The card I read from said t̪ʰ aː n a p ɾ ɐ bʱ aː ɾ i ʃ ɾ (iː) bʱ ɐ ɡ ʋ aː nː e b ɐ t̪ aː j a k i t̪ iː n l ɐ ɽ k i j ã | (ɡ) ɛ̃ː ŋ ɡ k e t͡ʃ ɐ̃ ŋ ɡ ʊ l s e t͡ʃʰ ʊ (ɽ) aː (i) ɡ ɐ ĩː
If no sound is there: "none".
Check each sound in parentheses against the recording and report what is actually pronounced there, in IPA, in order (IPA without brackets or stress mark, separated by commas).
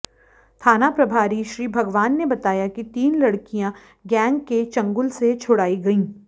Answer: iː, ɡ, ɽ, i